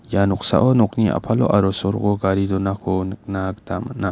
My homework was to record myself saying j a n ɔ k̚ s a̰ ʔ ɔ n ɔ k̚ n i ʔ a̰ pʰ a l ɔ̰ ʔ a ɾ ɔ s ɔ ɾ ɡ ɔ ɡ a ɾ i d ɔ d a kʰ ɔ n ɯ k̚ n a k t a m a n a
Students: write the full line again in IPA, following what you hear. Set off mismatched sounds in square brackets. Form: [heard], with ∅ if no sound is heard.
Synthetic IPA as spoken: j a n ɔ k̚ s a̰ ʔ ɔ n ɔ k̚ n i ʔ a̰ pʰ a l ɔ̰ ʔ a ɾ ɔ s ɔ ɾ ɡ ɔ ɡ a ɾ i d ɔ [n] a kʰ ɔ n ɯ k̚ n a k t a m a n a